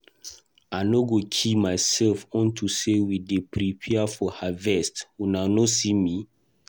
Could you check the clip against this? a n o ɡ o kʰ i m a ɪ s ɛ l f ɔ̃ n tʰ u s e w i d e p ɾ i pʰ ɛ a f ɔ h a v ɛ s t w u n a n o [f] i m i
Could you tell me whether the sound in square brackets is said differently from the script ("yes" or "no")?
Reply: yes